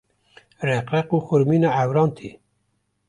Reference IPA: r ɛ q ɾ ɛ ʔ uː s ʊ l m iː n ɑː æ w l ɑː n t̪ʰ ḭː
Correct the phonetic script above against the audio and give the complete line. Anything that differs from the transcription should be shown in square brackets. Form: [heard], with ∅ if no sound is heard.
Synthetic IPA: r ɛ q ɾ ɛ [q] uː [x] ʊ [ɾ] m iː n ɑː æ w [ɾ] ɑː n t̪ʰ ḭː